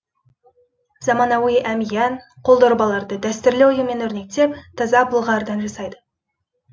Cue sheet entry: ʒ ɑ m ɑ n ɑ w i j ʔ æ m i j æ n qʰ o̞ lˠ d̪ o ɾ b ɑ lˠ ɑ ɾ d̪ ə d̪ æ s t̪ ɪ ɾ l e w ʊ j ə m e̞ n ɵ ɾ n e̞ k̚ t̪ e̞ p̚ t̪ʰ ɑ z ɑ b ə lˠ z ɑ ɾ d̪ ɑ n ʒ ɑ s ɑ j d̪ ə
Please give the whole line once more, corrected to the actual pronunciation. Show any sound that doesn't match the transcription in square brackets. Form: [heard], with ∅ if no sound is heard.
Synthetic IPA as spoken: [z] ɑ m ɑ n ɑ w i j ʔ æ m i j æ n qʰ o̞ lˠ d̪ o ɾ b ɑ lˠ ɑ ɾ d̪ ə d̪ æ s t̪ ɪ ɾ l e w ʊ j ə m e̞ n ɵ ɾ n e̞ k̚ t̪ e̞ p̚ t̪ʰ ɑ z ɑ b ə lˠ [ʁ] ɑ ɾ d̪ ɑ n ʒ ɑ s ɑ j d̪ ə